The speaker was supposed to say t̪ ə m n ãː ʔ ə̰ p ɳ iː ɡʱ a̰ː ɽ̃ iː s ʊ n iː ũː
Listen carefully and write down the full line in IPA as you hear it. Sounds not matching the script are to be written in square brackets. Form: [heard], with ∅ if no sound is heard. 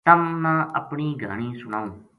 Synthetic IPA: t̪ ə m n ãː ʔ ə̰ p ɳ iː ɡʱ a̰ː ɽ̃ iː s ʊ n [aː] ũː